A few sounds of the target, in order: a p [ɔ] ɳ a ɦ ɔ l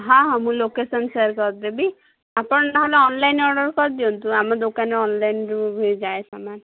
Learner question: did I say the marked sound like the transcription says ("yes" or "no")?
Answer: yes